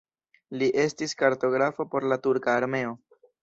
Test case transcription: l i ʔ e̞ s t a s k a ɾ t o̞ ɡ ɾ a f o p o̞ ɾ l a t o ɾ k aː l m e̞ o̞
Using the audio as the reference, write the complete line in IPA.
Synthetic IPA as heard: l i ʔ e̞ s t i s k a ɾ t o̞ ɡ ɾ a f o p o̞ ɾ l a t u ɾ k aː ɾ m e̞ o̞